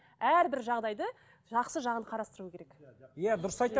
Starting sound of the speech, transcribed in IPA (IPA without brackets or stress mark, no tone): æ